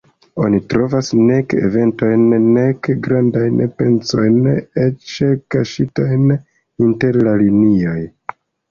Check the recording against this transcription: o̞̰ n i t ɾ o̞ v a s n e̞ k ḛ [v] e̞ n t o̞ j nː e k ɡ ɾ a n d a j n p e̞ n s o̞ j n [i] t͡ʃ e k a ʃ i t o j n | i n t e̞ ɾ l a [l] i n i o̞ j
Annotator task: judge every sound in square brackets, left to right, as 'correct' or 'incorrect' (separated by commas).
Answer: correct, incorrect, correct